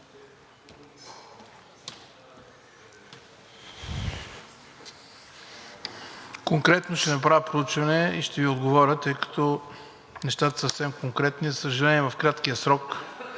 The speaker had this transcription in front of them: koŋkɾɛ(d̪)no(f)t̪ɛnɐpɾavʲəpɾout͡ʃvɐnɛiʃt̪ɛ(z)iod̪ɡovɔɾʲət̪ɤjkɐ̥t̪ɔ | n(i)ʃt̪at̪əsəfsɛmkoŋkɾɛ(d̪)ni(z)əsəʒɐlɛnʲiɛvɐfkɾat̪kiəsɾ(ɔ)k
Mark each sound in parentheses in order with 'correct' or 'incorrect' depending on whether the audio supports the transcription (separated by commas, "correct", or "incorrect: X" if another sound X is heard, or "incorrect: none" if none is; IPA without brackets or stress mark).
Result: incorrect: t̪, incorrect: ʃ, incorrect: v, incorrect: ɛ, incorrect: t̪, correct, correct